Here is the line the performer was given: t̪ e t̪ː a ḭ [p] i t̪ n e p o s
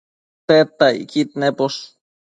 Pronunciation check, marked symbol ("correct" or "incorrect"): incorrect